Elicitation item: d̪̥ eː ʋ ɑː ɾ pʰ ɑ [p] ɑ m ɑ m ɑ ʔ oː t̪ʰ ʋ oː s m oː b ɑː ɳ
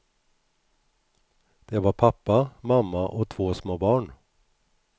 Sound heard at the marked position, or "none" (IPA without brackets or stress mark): p